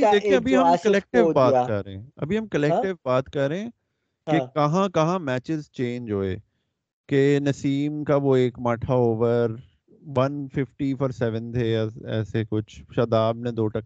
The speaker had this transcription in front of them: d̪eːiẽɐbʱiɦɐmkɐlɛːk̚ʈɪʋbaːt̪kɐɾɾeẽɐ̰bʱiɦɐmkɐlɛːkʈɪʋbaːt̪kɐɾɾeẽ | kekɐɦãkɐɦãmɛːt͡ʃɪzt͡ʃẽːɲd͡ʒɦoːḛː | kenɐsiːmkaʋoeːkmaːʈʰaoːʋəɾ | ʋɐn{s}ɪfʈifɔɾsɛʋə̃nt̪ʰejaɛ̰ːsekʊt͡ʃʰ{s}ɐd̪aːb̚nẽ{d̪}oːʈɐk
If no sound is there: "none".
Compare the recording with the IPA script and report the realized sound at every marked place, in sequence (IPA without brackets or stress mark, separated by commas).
f, ʃ, d̪